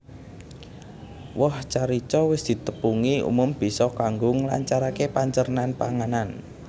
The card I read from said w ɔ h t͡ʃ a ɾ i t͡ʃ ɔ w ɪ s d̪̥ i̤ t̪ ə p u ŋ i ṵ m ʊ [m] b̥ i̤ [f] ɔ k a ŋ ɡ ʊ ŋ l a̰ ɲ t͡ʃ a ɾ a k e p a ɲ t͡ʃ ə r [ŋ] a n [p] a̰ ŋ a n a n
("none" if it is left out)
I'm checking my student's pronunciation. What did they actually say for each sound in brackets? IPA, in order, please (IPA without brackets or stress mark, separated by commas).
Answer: m, s, n, p